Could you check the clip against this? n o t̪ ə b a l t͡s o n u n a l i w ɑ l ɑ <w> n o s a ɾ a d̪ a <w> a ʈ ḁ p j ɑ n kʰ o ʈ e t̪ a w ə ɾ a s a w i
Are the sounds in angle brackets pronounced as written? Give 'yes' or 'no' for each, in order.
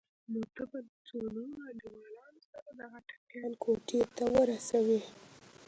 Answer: no, no

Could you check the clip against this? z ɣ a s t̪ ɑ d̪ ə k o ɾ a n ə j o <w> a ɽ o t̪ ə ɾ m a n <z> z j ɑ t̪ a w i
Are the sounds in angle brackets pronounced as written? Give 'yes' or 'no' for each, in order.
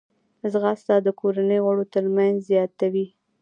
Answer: no, yes

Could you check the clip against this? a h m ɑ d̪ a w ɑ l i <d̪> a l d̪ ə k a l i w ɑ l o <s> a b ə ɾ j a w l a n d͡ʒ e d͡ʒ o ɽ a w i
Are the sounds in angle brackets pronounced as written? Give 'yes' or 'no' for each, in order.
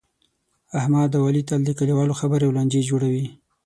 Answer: no, no

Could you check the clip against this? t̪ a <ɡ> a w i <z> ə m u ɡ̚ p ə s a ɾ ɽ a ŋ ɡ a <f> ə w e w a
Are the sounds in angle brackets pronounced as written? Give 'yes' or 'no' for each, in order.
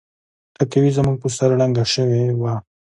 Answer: no, yes, no

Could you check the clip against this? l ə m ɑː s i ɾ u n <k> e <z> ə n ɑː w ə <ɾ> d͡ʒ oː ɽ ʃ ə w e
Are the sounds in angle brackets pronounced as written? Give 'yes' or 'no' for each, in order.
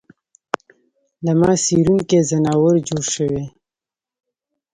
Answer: yes, yes, yes

